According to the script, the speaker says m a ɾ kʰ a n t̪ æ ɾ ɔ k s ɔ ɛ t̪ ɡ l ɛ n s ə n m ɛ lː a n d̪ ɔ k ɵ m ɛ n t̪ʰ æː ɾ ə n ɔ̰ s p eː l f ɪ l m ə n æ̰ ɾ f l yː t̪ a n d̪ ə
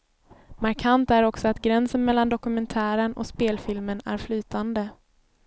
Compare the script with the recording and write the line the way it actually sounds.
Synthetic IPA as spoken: m a ɾ kʰ a n t̪ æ ɾ ɔ k s ɔ a t̪ ɡ ɾ ɛ n s ə n m ɛ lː a n d̪ ɔ k ɵ m ɛ n t̪ʰ æː ɾ ə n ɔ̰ s p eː l f ɪ l m ə n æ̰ ɾ f l yː t̪ a n d̪ ə